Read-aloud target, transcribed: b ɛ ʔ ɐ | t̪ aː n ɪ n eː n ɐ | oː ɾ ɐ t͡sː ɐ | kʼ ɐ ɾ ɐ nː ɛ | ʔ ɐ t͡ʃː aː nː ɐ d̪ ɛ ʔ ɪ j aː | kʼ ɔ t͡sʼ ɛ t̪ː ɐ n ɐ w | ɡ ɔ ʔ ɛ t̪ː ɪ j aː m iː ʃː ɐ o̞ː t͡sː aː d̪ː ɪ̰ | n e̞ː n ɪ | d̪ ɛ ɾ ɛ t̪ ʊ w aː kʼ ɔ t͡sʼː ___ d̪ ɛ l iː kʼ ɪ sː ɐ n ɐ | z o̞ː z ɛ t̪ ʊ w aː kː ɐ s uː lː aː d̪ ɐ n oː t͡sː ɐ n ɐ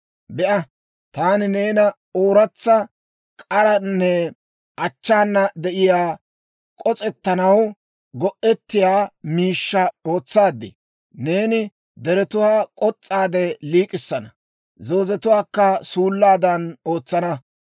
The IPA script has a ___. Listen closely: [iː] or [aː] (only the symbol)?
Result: aː